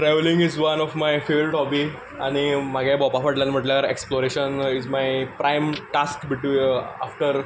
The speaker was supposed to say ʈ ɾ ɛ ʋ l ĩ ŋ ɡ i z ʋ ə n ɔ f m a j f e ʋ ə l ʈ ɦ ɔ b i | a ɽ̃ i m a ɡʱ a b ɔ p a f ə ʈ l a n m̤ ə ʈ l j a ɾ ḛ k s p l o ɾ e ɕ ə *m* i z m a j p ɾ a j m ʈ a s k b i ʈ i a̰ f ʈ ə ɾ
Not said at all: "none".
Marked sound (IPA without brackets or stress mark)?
n